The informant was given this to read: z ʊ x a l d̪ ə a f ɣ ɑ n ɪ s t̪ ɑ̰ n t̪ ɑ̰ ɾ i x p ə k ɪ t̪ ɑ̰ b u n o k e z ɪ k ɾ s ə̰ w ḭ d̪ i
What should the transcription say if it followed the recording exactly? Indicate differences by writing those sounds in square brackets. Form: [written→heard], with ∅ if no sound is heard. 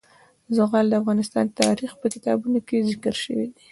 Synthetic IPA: z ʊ [x→ɣ] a l d̪ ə a f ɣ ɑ n ɪ s t̪ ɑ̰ n t̪ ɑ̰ ɾ i x p ə k ɪ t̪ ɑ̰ b u n o k e z ɪ k ɾ [s→ʃ] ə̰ w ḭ d̪ i